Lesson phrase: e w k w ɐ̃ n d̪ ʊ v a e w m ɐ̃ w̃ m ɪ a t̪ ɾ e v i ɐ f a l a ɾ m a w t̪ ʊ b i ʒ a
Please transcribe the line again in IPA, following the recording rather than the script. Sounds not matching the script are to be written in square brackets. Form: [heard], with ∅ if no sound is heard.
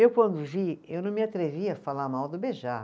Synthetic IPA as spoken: e w k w ɐ̃ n d̪ ʊ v [i] e w [n] ɐ̃ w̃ m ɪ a t̪ ɾ e v i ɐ f a l a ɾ m a w [d̪] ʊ b [e] ʒ a